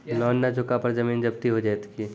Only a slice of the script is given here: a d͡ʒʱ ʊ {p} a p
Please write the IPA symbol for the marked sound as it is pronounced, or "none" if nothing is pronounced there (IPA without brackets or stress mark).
k